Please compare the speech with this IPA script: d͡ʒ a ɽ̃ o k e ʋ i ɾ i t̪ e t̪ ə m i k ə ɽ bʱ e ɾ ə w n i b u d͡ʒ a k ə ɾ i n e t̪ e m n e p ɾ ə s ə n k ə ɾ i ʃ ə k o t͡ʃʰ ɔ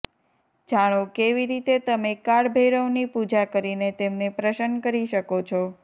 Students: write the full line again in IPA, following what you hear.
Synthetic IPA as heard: d͡ʒ a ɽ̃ o k e ʋ i ɾ i t̪ e t̪ ə m e k a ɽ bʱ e ɾ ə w n i p u d͡ʒ a k ə ɾ i n e t̪ e m n e p ɾ ə ʃ ə n k ə ɾ i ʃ ə k o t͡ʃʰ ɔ